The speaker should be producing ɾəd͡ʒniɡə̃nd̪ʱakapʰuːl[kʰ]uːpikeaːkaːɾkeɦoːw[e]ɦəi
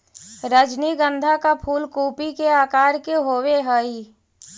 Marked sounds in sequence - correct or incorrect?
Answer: incorrect, correct

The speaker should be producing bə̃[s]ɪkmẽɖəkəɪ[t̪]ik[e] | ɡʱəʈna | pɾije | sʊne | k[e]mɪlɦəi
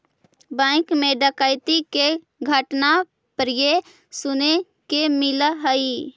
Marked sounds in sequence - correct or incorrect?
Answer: incorrect, correct, correct, correct

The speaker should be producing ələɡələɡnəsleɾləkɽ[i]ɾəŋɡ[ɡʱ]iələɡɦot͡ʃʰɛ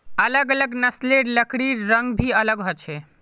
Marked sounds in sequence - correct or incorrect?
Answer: correct, incorrect

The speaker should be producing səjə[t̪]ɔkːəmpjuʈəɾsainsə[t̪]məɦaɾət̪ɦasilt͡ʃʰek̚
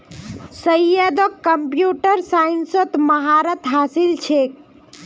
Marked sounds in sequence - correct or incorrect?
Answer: incorrect, correct

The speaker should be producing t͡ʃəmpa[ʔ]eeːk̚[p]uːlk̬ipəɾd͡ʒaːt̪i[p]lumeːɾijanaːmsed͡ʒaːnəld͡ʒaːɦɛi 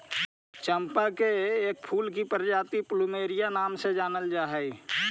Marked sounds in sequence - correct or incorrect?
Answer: incorrect, incorrect, correct

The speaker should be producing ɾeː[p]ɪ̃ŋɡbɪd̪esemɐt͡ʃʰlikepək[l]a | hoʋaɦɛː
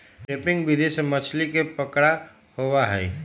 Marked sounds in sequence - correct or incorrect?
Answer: correct, incorrect

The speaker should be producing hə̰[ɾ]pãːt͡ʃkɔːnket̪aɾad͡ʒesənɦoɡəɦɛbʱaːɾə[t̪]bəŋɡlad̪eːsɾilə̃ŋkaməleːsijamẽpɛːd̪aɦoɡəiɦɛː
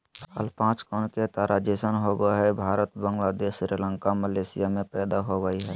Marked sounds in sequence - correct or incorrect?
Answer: incorrect, correct

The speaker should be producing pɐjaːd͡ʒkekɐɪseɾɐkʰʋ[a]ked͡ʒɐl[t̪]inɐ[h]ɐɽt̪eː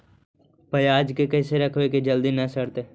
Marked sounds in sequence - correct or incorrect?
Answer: incorrect, incorrect, incorrect

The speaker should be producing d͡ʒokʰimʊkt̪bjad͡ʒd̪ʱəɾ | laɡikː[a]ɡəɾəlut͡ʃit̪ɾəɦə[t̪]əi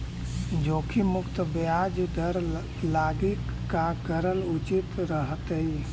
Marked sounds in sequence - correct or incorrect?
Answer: correct, correct

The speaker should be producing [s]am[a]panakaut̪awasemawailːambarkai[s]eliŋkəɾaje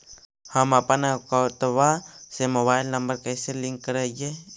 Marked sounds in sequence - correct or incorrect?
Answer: incorrect, correct, correct

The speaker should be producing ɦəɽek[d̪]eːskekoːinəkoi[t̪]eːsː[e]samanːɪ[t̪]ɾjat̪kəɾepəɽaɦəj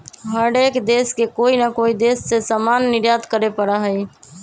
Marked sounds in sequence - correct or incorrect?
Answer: correct, incorrect, correct, incorrect

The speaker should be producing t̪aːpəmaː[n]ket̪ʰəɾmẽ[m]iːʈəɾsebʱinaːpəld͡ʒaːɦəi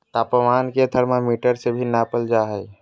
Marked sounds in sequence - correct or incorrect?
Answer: correct, correct

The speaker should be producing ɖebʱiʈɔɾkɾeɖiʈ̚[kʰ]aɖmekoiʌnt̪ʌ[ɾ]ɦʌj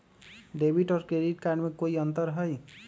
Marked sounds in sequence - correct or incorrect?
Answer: incorrect, correct

